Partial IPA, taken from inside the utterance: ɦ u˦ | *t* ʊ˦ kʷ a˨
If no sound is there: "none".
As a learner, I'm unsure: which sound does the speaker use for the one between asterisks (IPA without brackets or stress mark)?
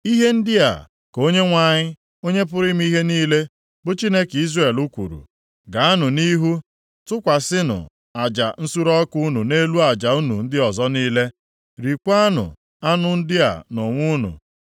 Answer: t